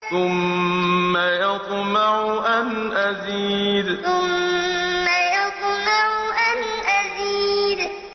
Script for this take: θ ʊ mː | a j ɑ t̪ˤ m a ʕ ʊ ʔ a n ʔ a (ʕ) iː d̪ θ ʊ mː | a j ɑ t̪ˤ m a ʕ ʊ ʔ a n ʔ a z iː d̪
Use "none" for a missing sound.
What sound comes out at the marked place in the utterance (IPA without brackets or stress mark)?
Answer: z